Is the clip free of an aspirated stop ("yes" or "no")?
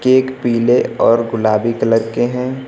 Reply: yes